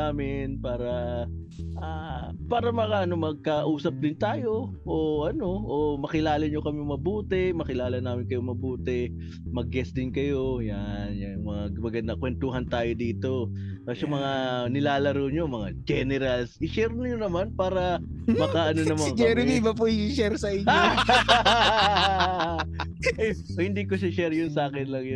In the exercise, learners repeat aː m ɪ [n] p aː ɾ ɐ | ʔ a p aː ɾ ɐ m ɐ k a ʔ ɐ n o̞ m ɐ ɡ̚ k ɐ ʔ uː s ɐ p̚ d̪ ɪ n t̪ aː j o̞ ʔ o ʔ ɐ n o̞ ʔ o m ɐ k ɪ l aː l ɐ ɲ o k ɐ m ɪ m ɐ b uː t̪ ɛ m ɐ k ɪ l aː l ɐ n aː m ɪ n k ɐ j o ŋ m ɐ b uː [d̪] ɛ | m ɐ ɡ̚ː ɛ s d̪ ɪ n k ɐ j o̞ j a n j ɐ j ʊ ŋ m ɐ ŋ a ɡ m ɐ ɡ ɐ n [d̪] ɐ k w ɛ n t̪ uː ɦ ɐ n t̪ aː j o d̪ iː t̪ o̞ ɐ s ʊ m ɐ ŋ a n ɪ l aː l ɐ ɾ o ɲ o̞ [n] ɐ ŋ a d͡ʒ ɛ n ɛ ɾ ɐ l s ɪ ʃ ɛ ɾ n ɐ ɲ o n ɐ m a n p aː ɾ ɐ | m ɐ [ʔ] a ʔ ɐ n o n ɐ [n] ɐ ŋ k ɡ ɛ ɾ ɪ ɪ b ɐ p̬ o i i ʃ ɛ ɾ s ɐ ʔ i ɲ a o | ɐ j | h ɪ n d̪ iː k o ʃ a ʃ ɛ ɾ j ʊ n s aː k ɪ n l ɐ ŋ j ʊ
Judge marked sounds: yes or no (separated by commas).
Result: yes, no, yes, no, no, no